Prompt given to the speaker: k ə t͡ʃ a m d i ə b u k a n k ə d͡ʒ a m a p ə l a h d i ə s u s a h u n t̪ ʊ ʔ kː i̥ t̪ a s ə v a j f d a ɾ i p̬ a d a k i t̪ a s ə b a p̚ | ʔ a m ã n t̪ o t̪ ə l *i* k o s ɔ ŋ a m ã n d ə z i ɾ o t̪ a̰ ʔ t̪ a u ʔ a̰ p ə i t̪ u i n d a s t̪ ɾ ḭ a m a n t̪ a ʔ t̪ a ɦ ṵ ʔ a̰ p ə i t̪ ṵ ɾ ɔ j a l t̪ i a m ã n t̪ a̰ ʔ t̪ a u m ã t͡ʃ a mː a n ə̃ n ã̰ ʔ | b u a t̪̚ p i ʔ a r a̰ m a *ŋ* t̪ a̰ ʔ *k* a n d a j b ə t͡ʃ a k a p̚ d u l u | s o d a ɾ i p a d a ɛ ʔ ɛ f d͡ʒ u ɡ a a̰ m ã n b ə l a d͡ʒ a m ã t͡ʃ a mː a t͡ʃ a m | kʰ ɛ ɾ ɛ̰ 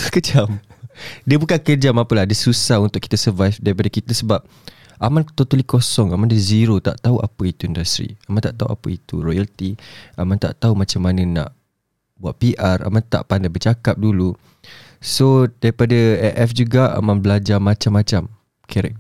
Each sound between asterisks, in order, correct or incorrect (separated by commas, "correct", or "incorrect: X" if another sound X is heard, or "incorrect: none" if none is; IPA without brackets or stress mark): correct, incorrect: n, incorrect: p